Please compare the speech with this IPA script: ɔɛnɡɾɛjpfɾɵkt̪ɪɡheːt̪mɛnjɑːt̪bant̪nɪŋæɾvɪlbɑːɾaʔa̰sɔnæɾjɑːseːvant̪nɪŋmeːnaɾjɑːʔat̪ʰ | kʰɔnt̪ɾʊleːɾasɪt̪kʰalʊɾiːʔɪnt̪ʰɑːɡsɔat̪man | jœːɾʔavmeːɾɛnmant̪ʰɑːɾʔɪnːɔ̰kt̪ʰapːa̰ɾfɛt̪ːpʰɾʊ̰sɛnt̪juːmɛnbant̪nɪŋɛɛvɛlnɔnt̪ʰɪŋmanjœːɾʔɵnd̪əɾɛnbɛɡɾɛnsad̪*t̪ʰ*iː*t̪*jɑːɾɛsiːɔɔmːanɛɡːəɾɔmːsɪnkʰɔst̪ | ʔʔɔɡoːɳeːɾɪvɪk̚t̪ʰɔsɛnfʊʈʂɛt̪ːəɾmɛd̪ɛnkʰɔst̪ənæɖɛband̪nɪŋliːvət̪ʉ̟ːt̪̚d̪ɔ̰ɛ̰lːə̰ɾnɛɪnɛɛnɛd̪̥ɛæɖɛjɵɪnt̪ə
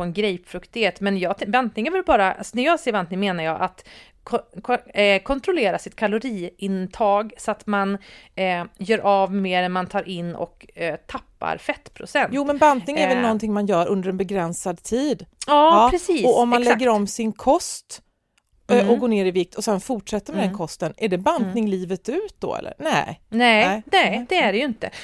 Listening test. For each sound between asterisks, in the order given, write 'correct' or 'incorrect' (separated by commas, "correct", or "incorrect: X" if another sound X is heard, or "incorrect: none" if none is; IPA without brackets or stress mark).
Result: correct, incorrect: d̪